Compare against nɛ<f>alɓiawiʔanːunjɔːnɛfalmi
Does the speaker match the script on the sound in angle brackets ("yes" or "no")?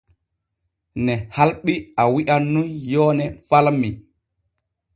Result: no